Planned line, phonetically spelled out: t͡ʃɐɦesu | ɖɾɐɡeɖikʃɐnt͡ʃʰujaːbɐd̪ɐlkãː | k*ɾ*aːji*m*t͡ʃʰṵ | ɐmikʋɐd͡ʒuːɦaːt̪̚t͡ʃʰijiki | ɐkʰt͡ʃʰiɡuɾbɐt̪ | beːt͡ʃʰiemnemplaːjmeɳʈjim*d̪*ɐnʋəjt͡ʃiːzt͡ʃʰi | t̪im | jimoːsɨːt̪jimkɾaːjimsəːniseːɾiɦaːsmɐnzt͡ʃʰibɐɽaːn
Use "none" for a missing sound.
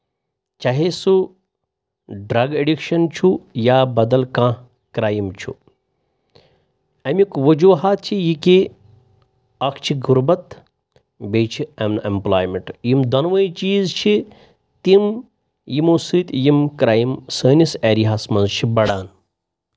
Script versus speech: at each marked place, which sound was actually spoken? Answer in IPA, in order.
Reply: ɾ, m, d̪

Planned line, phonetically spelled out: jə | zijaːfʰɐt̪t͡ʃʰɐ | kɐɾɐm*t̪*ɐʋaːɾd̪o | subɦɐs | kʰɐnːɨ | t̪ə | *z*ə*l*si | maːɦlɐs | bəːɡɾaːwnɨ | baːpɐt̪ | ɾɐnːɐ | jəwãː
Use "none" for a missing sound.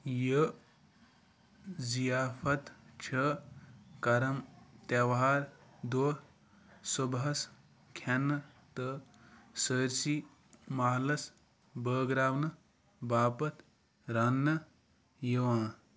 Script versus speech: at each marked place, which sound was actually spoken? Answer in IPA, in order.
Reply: t̪, s, ɾ

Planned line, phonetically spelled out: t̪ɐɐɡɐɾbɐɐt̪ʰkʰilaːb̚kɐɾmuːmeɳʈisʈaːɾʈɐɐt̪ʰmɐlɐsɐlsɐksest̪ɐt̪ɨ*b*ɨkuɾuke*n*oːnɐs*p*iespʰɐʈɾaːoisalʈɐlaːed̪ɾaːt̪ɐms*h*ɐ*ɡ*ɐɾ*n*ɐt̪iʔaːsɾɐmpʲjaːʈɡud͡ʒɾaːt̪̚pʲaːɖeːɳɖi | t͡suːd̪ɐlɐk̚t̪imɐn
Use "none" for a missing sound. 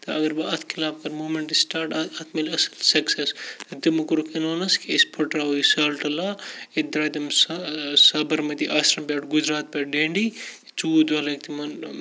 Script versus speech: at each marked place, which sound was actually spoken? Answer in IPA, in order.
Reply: m, n, k, s, b, m

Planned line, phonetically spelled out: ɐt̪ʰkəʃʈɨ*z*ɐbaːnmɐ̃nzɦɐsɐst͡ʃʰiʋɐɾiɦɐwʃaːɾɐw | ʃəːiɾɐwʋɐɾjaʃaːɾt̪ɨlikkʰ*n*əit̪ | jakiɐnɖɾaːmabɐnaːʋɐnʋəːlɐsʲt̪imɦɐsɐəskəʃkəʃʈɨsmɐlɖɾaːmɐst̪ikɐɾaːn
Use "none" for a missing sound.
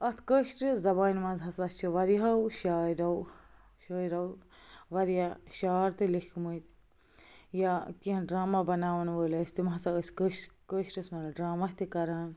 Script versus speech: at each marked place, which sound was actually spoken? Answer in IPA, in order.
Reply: z, m

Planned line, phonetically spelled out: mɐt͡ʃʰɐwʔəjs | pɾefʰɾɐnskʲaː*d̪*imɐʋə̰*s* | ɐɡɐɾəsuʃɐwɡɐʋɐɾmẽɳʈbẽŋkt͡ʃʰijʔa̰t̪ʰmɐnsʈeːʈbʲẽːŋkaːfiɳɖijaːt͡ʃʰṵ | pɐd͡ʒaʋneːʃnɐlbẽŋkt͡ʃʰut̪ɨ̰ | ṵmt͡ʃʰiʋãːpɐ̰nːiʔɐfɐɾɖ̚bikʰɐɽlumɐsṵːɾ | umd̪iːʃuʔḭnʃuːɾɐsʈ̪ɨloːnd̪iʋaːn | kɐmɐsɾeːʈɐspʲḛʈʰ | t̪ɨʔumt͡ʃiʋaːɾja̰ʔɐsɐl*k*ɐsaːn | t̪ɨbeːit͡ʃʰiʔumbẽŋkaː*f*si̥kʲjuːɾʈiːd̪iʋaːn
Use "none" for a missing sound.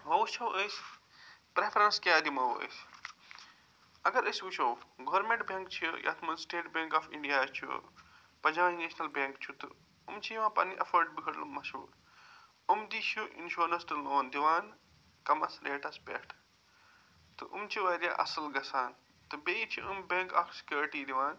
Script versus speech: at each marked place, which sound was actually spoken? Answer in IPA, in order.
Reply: d̪, s, ɡ, f

